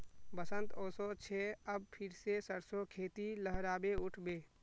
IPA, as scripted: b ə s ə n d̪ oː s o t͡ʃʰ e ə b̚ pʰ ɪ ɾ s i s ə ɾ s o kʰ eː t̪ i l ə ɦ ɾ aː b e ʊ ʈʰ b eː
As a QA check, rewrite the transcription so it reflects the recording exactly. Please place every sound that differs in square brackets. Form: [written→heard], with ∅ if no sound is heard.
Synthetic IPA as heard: b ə s ə n [d̪→t̪] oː s o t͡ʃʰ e ə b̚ pʰ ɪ ɾ s [i→e] s ə ɾ s o kʰ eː t̪ i l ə ɦ ɾ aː b e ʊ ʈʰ b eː

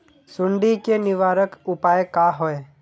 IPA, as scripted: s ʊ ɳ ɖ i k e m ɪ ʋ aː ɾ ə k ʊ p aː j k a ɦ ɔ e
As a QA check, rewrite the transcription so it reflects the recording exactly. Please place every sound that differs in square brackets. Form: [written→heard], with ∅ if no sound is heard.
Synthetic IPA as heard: s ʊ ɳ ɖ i k e [m→n] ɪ ʋ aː ɾ ə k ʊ p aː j k a ɦ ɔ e

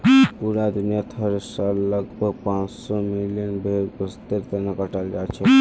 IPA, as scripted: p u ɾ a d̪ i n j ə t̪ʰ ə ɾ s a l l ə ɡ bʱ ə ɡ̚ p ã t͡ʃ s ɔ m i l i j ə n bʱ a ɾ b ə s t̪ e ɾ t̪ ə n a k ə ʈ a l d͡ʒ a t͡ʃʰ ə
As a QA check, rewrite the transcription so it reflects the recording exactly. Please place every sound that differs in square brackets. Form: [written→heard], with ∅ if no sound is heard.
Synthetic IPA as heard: p u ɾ a d̪ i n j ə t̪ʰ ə ɾ s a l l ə ɡ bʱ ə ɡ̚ p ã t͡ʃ s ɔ m i l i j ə n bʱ [a→e] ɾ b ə s t̪ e ɾ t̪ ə n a k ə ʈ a l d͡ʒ a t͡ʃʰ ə

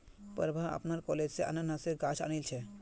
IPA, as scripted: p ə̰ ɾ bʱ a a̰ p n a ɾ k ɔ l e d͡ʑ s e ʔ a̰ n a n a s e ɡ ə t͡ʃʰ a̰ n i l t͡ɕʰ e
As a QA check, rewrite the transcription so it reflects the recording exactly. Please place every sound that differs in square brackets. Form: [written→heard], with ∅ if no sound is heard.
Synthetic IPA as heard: p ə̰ ɾ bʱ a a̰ p n a ɾ k ɔ l e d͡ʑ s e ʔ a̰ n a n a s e ɡ [ə→a] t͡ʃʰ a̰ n i l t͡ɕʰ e

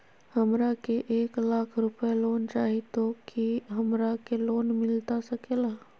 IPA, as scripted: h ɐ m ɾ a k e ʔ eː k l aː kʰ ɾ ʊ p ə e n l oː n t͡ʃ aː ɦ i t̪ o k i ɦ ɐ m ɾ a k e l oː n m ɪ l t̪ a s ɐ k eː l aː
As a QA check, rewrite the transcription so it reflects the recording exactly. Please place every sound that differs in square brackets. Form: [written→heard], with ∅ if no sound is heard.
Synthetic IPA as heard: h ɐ m ɾ a k e ʔ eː k l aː kʰ ɾ ʊ p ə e [n→∅] l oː n t͡ʃ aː ɦ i t̪ o k i ɦ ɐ m ɾ a k e l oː n m ɪ l t̪ a s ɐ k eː l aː

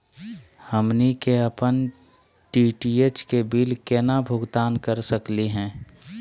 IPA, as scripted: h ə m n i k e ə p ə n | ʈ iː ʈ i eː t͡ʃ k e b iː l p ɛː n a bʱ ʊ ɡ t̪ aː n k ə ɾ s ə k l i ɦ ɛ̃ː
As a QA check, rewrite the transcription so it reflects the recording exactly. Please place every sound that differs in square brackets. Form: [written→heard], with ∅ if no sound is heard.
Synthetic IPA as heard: h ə m n i k e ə p ə n | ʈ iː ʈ i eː t͡ʃ k e b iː l [p→k] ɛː n a bʱ ʊ ɡ t̪ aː n k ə ɾ s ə k l i ɦ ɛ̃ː

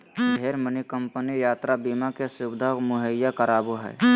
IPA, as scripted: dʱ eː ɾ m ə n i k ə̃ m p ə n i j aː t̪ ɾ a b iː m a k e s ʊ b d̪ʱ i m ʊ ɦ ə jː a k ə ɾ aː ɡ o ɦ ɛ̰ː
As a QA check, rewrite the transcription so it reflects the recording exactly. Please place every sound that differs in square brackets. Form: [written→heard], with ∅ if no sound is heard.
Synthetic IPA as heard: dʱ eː ɾ m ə n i k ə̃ m p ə n i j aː t̪ ɾ a b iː m a k e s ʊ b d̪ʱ [i→a] m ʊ ɦ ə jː a k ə ɾ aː [ɡ→b] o ɦ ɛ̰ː

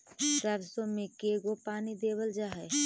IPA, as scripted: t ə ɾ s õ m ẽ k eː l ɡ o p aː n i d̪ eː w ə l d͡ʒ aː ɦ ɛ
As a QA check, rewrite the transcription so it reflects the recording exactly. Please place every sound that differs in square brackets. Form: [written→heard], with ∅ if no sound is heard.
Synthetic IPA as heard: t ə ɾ s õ m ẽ k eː [l→∅] ɡ o p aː n i d̪ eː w ə l d͡ʒ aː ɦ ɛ

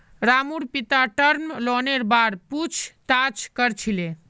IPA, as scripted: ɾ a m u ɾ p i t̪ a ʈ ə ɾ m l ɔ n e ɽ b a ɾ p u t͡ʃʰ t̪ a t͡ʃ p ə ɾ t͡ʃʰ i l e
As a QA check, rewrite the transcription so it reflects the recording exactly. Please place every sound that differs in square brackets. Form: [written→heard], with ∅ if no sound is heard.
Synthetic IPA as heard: ɾ a m u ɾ p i t̪ a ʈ ə ɾ m l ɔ n e [ɽ→ɾ] b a ɾ p u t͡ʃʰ t̪ a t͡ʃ [p→k] ə ɾ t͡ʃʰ i l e

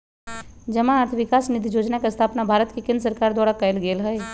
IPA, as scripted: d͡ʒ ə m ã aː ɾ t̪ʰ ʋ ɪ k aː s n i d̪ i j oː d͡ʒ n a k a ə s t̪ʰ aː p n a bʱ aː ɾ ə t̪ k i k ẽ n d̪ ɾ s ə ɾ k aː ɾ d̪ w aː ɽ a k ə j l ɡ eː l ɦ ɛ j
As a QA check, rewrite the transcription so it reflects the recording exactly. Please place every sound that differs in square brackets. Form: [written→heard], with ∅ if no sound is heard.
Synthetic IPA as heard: d͡ʒ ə m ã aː ɾ t̪ʰ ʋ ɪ k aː s n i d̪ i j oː d͡ʒ n a k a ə s t̪ʰ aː p n a bʱ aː ɾ ə t̪ k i k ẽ n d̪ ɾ s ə ɾ k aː ɾ d̪ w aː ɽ a k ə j l ɡ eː l ɦ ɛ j

